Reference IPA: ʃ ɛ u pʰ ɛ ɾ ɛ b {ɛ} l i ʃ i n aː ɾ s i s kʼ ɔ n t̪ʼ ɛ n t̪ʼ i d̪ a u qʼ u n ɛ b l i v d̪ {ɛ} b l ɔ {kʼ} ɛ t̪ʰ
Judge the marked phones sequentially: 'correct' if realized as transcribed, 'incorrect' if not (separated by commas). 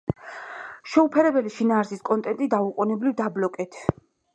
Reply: correct, incorrect, correct